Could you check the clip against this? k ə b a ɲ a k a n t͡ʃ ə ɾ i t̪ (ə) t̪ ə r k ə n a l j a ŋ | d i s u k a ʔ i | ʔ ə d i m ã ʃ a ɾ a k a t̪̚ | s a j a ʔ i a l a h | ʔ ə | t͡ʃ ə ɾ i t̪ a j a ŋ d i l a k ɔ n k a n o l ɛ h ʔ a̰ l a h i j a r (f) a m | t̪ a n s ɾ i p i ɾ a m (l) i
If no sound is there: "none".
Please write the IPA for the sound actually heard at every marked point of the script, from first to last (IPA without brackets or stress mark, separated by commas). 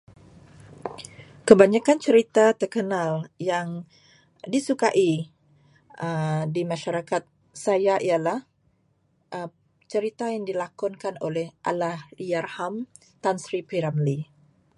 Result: a, h, l